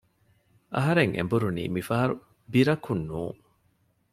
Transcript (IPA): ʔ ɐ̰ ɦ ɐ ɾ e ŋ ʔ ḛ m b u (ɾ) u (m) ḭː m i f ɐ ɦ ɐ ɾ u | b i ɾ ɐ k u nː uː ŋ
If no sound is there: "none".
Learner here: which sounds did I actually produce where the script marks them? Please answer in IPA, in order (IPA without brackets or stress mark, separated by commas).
ɾ, n